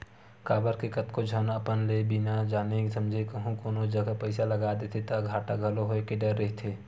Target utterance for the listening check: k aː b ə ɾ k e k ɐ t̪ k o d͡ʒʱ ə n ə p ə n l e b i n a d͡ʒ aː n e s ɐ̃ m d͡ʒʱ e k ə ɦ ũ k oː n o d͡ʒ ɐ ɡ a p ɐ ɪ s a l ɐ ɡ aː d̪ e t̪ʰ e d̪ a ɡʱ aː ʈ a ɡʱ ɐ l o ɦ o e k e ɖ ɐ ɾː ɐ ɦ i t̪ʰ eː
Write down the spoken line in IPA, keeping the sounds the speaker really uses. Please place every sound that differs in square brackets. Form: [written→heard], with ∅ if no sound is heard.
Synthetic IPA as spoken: k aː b ə ɾ k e k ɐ t̪ k o d͡ʒʱ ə n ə p ə n l e b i n a d͡ʒ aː n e s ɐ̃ m d͡ʒʱ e k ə ɦ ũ k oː n o d͡ʒ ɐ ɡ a p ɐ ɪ s a l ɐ ɡ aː d̪ e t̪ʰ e [d̪→t̪] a ɡʱ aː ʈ a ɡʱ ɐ l o ɦ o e k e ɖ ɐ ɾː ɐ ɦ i t̪ʰ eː